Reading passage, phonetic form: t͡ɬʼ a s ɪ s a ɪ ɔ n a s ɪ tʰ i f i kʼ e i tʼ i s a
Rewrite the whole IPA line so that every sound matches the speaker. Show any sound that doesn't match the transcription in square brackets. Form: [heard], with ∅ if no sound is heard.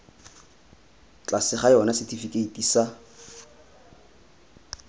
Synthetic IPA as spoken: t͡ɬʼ a s ɪ [χ] a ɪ ɔ n a s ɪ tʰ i f i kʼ e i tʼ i s a